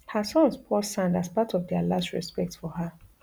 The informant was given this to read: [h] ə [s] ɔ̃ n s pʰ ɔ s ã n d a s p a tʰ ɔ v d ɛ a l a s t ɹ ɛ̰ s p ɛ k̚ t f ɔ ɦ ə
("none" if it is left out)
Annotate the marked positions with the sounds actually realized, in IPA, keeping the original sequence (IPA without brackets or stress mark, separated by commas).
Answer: h, s